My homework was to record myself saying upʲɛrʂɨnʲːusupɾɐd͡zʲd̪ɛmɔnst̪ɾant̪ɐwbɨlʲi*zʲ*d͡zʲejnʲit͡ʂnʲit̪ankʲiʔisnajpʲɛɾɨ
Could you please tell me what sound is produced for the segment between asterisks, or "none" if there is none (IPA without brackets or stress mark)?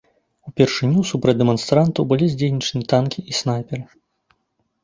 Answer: zʲ